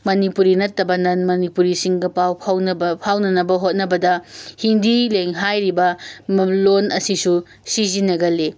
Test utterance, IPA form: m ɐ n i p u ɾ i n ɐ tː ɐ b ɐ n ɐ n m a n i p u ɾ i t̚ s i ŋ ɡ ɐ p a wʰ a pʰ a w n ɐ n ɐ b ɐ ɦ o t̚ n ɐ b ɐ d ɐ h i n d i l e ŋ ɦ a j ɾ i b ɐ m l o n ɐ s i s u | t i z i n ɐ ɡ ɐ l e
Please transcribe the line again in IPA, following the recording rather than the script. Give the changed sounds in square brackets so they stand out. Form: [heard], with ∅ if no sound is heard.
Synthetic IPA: m ɐ n i p u ɾ i n ɐ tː ɐ b ɐ n ɐ n m [ɐ] n i p u ɾ i [∅] s i ŋ ɡ ɐ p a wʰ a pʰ a w n ɐ n ɐ b ɐ ɦ o t̚ n ɐ b ɐ d ɐ h i n d i l e ŋ ɦ a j ɾ i b ɐ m l o n ɐ s i s u | [s] i z i n ɐ ɡ ɐ l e